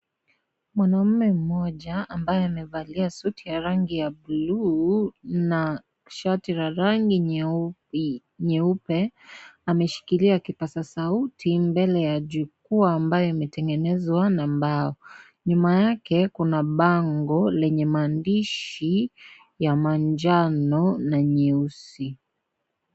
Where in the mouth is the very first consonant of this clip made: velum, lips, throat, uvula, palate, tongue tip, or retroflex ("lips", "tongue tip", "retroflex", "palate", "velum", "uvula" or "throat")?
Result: lips